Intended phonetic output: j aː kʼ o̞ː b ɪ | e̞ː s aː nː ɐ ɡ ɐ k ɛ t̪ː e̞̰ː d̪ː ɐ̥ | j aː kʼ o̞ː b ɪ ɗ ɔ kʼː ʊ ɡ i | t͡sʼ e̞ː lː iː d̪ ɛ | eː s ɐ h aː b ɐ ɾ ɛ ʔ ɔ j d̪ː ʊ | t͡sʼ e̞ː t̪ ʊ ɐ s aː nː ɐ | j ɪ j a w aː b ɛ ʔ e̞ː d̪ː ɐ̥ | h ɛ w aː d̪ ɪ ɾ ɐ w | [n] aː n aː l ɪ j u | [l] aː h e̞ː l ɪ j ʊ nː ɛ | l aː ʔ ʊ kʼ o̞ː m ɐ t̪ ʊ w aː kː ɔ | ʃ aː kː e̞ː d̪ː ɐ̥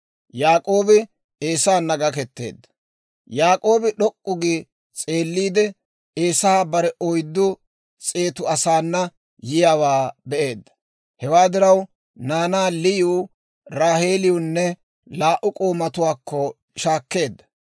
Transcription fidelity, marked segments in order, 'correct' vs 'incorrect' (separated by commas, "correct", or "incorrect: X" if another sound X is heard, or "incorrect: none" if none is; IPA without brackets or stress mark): correct, incorrect: ɾ